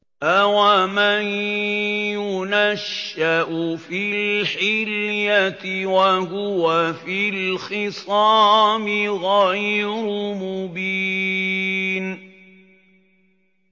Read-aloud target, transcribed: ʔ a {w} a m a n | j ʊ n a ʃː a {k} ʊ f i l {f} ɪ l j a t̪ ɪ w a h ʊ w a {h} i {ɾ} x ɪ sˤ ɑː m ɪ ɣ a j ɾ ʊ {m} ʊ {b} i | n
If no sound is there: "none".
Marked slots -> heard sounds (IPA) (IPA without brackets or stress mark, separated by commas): w, ʔ, ħ, f, l, m, b